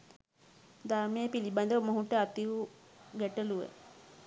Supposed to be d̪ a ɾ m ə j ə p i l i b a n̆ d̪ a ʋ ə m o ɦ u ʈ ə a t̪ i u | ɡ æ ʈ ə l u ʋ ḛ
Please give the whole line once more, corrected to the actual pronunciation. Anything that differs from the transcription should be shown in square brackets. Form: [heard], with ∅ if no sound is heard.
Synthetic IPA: d̪ a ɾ m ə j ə p i l i b a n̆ d̪ [ə] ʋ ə m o ɦ u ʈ ə a t̪ i u | ɡ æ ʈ ə l u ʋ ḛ